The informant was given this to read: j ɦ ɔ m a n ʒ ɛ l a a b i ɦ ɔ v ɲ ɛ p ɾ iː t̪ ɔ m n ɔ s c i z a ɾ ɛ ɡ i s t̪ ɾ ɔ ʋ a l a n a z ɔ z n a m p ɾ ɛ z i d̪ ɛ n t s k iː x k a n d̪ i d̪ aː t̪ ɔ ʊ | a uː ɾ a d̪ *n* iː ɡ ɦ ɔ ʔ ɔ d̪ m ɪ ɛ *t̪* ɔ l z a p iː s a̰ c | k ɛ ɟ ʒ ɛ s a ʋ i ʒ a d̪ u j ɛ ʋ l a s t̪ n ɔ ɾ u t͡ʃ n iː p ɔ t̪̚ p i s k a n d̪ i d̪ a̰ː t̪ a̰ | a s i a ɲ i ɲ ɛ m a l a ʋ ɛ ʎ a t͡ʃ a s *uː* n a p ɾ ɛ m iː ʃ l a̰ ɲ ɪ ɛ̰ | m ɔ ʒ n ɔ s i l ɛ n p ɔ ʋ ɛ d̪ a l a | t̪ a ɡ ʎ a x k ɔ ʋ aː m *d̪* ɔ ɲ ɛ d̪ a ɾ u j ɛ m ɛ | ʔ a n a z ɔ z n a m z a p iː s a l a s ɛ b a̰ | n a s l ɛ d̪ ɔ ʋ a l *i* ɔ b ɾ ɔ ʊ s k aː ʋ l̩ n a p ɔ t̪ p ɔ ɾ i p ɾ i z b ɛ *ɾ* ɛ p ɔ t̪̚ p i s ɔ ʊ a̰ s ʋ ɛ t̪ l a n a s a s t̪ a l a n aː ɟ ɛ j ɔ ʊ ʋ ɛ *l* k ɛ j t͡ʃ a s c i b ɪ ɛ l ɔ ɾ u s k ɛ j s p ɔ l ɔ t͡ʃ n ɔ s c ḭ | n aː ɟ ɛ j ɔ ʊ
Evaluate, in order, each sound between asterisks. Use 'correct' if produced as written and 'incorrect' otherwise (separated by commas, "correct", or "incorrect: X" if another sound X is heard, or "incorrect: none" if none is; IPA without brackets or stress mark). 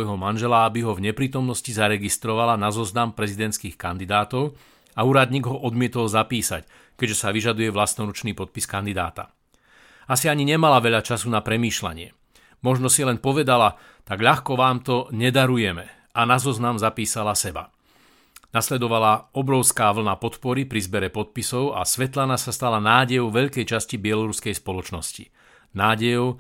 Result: incorrect: ɲ, correct, incorrect: u, incorrect: t̪, incorrect: a, correct, incorrect: ʎ